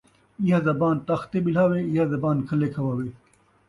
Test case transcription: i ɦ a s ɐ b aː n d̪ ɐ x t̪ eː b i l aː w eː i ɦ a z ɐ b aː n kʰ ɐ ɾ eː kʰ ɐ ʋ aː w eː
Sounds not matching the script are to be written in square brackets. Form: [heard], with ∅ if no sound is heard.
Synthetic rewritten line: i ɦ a [z] ɐ b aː n [t̪] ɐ x t̪ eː b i l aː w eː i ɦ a z ɐ b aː n kʰ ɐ [l] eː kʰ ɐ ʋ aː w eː

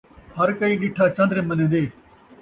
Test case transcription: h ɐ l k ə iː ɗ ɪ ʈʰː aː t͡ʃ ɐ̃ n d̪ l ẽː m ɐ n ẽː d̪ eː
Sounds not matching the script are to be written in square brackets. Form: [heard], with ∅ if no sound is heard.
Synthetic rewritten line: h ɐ [ɾ] k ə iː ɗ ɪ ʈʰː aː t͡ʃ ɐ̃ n d̪ [ɾ] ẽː m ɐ n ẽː d̪ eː

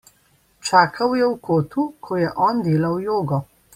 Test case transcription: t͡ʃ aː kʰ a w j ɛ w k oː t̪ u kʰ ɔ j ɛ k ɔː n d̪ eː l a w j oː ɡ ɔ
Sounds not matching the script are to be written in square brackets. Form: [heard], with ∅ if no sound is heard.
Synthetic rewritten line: t͡ʃ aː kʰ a w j ɛ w k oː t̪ u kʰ ɔ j ɛ [ʔ] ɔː n d̪ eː l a w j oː ɡ ɔ

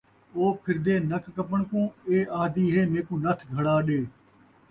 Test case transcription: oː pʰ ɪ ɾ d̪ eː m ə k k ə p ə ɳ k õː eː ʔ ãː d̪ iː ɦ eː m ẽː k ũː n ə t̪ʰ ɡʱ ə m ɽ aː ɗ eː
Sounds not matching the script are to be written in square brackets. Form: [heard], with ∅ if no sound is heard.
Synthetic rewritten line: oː pʰ ɪ ɾ d̪ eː [n] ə k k ə p ə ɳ k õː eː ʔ [aː] d̪ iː ɦ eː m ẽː k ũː n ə t̪ʰ ɡʱ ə [∅] ɽ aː ɗ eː

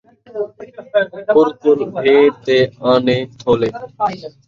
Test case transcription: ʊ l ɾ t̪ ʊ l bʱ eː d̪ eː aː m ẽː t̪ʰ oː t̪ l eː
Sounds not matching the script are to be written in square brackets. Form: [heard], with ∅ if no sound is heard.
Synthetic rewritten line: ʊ [∅] ɾ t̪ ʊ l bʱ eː [t̪] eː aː [n] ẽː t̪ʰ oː [∅] l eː

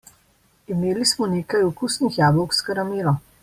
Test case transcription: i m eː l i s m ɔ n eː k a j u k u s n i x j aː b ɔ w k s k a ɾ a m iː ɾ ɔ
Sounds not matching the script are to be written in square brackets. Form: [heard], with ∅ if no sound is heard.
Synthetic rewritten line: i m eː l i s m ɔ n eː k a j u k u s n i x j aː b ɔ w k s k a ɾ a m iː ɾ ɔ

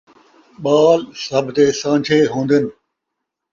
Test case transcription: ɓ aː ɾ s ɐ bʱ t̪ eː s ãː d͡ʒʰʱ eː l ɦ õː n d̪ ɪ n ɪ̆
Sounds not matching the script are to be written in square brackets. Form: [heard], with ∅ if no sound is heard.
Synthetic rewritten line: ɓ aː [l] s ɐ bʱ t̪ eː s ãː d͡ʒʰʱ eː [∅] ɦ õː n d̪ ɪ n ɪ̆

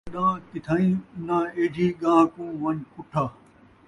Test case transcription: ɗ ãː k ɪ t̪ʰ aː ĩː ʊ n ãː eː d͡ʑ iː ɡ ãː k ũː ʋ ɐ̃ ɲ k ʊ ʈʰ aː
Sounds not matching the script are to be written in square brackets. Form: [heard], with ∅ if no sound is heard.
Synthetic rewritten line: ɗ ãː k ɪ t̪ʰ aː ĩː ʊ n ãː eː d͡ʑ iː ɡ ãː k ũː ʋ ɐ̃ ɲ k ʊ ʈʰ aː

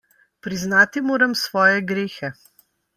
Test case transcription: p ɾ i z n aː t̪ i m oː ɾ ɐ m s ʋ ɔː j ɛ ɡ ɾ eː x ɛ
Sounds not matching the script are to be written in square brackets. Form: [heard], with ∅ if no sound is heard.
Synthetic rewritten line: p ɾ i z n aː t̪ i m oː ɾ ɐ m s ʋ ɔː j ɛ ɡ ɾ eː x ɛ

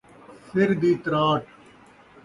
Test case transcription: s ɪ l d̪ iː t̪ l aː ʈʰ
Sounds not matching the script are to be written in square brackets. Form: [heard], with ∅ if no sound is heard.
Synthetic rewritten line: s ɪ [ɾ] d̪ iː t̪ [ɾ] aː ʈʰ

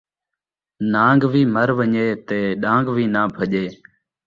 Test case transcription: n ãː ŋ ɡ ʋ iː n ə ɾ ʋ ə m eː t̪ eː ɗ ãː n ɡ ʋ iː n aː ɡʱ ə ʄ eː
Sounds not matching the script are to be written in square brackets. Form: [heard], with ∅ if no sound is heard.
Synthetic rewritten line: n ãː ŋ ɡ ʋ iː [m] ə ɾ ʋ ə [ɲ] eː t̪ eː ɗ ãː [ŋ] ɡ ʋ iː n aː [bʱ] ə ʄ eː

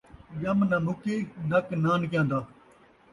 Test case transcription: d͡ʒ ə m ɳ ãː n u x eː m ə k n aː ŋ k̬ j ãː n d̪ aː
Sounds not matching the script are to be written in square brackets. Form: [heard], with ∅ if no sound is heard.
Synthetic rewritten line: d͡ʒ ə m [n] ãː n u [k] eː [n] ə k n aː [n] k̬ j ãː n d̪ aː

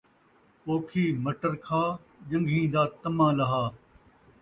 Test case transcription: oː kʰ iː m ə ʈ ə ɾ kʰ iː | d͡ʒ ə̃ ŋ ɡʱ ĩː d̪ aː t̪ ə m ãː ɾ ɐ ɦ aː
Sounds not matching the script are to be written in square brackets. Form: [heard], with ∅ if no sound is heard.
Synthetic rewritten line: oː kʰ iː m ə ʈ ə ɾ kʰ [aː] | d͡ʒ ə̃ ŋ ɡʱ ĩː d̪ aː t̪ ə m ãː [l] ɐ ɦ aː

